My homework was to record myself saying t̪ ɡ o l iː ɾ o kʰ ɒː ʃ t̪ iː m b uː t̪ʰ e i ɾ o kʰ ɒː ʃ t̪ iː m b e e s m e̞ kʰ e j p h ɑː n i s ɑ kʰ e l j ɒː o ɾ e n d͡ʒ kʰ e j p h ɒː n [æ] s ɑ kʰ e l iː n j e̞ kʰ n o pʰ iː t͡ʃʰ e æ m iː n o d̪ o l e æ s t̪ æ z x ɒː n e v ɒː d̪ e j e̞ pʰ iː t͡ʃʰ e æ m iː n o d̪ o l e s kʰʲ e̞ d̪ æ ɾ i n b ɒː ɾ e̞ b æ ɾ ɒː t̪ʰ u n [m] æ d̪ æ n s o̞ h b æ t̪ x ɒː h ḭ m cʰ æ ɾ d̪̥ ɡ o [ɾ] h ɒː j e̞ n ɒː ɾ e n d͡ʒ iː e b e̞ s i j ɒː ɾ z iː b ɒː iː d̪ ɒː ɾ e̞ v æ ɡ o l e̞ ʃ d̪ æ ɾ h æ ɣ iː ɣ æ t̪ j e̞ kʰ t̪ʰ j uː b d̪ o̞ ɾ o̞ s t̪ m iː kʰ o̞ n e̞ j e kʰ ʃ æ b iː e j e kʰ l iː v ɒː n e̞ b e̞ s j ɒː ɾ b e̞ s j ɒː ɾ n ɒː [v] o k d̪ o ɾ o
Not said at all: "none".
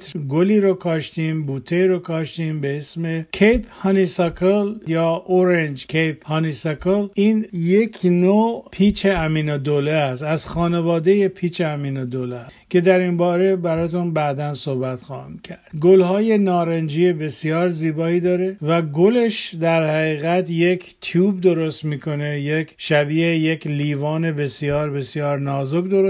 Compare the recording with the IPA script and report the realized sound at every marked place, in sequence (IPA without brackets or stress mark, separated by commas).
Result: i, b, l, z